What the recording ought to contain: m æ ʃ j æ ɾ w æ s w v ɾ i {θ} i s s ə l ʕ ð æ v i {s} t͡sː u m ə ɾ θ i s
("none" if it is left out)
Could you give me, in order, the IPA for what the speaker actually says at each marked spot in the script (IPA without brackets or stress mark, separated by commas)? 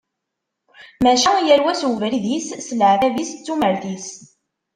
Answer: ð, s